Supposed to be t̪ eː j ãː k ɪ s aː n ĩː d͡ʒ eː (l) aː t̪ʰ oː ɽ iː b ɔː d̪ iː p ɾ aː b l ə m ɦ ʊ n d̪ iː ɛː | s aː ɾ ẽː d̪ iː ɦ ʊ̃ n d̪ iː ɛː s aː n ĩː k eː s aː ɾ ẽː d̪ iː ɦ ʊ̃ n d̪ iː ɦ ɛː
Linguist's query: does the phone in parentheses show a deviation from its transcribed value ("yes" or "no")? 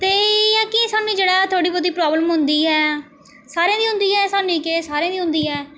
yes